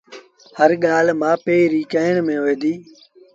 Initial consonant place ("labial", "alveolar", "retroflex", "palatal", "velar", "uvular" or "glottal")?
glottal